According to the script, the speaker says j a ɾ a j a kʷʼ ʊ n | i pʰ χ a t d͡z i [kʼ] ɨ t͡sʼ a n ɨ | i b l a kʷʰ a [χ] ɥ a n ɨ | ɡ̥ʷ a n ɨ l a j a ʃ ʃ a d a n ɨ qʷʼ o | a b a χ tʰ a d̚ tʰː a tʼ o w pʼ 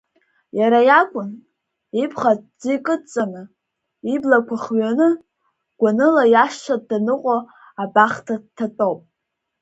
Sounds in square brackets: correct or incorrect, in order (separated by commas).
correct, correct